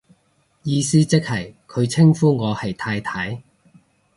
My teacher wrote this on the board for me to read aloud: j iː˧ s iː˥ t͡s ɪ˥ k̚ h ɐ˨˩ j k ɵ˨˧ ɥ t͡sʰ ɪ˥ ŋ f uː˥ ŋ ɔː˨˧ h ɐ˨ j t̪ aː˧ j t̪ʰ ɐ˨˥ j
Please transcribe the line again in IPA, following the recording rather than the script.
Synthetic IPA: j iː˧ s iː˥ t͡s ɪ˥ k̚ h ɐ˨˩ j kʰ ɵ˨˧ ɥ t͡sʰ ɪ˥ ŋ f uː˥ ŋ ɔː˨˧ h ɐ˨ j t̪ʰ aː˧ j t̪ʰ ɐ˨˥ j

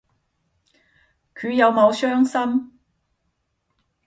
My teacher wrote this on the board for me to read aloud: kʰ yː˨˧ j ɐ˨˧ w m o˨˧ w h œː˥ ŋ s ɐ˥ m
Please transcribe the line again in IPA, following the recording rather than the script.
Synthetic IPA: kʰ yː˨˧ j ɐ˨˧ w m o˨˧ w s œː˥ ŋ s ɐ˥ m

